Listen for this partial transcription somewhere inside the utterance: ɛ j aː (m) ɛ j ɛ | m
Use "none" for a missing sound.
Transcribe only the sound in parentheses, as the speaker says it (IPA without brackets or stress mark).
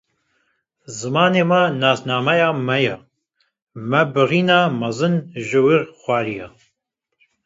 m